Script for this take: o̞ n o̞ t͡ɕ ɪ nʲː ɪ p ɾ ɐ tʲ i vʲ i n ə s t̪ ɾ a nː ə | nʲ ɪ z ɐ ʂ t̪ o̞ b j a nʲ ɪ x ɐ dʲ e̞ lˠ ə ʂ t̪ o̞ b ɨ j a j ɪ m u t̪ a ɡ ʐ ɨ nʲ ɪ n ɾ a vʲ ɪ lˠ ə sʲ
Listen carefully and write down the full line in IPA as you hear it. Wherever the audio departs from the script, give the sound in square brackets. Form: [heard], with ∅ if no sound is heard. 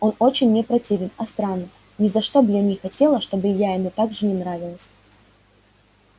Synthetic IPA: o̞ n o̞ t͡ɕ ɪ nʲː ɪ p ɾ ɐ tʲ i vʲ [ɪ] n [ɐ] s t̪ ɾ a nː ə | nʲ ɪ z ɐ ʂ t̪ o̞ b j a nʲ ɪ x ɐ [tʲ] e̞ lˠ ə ʂ t̪ o̞ b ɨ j a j ɪ m u t̪ a ɡ ʐ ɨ nʲ ɪ n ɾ a vʲ ɪ lˠ ə sʲ